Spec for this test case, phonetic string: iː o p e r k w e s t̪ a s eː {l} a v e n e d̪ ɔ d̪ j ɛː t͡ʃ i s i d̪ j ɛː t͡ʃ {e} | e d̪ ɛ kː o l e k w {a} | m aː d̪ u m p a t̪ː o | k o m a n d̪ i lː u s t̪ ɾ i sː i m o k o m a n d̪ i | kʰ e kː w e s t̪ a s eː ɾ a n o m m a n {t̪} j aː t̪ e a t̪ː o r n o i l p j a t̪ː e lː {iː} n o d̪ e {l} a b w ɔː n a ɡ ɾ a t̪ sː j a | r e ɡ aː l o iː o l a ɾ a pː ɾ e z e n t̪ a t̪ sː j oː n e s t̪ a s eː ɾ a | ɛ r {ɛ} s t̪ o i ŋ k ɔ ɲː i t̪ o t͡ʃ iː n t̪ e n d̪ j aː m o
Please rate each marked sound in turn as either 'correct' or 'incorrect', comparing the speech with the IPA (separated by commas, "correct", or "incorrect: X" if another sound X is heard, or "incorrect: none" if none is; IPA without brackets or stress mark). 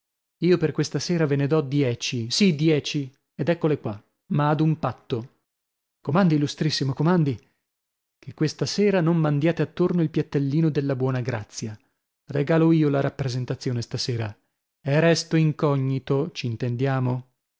incorrect: ɾ, incorrect: i, correct, incorrect: d̪, correct, incorrect: lː, correct